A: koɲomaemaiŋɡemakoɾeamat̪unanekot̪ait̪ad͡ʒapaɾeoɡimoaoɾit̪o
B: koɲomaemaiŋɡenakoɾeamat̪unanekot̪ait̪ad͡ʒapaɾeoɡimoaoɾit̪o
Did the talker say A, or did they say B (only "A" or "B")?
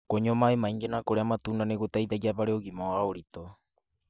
B